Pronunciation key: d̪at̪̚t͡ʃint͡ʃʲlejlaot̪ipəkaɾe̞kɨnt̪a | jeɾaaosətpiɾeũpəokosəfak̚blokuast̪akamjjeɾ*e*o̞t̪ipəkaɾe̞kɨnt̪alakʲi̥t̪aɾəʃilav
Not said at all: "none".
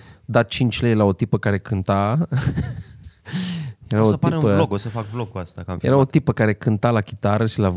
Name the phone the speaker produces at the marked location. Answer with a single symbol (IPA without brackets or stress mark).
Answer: a